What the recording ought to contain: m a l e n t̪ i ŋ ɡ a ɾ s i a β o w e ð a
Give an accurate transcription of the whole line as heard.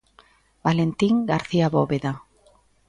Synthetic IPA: b a l e n t̪ i ŋ ɡ a ɾ θ i a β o β e ð a